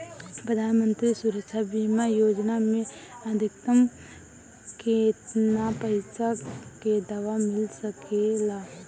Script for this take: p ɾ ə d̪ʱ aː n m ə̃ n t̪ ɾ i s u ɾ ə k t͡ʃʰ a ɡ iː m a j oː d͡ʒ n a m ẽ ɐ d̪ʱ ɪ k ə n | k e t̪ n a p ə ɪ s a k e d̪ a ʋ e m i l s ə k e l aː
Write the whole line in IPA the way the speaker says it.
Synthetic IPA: p ɾ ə d̪ʱ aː n m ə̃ n t̪ ɾ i s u ɾ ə k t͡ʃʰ a b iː m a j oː d͡ʒ n a m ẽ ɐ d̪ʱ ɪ k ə m | k e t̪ n a p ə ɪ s a k e d̪ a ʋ a m ɪ l s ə k e l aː